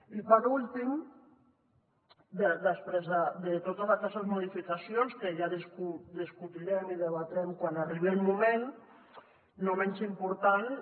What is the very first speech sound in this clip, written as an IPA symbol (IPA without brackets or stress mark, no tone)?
i